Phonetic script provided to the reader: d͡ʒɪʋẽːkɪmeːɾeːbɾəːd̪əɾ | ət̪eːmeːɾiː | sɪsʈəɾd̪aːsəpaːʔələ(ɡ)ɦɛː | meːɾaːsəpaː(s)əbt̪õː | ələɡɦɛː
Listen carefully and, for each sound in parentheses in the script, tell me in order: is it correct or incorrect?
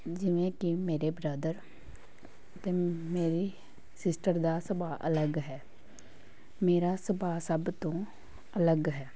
correct, correct

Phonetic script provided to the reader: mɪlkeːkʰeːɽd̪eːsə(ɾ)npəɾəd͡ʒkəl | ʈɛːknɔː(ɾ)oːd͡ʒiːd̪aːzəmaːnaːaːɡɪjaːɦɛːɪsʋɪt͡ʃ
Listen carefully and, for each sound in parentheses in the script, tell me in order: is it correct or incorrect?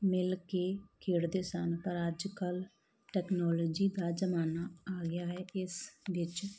incorrect, incorrect

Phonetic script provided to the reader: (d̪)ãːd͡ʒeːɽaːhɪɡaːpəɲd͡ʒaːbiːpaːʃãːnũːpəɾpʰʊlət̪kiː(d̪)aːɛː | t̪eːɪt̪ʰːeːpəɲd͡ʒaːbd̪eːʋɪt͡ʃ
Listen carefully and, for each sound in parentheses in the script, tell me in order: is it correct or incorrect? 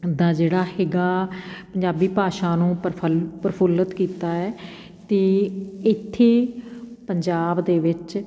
correct, incorrect

